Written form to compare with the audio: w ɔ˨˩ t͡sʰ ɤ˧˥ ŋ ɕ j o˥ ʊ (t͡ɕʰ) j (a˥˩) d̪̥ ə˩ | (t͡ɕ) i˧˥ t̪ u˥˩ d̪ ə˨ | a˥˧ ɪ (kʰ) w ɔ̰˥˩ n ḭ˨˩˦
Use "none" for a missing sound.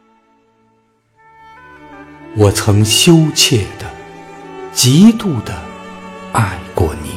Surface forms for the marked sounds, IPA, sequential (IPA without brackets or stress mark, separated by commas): t͡ɕʰ, ɛ˥˩, t͡ɕ, k